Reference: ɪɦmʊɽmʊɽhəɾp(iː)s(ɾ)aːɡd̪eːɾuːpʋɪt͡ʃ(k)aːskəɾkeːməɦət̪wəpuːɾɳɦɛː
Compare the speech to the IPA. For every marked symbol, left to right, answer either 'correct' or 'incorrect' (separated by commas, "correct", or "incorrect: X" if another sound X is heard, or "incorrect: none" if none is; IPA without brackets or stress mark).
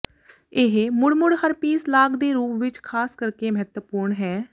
correct, incorrect: l, incorrect: kʰ